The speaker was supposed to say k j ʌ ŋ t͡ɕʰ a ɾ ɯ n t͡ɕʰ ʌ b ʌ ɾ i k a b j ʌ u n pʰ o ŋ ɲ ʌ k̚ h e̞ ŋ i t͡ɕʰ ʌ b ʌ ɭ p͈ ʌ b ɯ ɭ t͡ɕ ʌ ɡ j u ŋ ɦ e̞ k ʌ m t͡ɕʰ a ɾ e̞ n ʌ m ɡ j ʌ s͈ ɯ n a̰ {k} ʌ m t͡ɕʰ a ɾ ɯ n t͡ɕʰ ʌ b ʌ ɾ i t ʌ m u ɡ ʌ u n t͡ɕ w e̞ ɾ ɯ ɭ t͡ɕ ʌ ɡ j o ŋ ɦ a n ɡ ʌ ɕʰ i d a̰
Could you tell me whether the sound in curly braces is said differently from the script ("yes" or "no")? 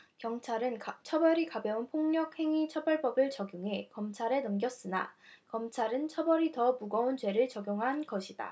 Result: no